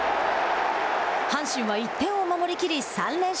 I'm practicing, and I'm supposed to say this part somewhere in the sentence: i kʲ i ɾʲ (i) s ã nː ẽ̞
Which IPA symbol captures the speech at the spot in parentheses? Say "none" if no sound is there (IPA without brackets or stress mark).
i